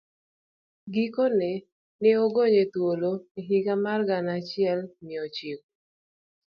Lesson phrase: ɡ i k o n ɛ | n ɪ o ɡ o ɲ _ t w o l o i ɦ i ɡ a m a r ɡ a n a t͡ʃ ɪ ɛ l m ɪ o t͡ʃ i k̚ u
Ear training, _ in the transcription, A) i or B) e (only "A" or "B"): B